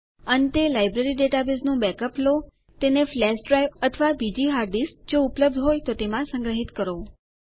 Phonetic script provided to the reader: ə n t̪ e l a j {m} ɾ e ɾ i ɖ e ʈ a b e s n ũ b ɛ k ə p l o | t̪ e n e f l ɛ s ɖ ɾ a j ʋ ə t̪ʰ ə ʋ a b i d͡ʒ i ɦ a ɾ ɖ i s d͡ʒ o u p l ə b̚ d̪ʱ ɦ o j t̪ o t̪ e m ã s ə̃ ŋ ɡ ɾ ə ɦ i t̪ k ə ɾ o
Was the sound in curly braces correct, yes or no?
no